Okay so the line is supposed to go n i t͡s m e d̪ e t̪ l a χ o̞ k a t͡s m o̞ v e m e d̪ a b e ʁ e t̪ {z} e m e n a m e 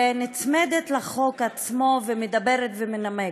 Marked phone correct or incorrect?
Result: incorrect